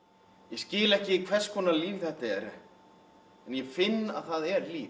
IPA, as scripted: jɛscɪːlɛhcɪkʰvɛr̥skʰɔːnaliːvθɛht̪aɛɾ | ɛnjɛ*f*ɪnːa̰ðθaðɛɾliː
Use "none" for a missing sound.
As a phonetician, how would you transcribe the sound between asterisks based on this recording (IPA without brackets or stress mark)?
f